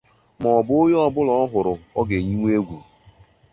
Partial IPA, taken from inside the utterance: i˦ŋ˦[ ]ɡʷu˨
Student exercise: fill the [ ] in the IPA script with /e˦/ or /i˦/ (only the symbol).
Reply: e˦